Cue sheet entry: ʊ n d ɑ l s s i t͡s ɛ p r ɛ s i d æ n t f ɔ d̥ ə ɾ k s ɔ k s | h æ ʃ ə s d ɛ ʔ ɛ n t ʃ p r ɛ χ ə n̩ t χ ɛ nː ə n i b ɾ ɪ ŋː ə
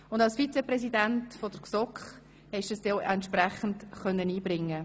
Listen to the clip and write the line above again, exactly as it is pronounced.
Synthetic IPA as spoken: ʊ n d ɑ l s f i t͡s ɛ p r ɛ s i d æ n t f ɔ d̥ ə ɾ k s ɔ k χ | h ɛ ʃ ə s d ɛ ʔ ɛ n t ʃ p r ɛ χ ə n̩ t χ œ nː ə n iː b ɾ ɪ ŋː ə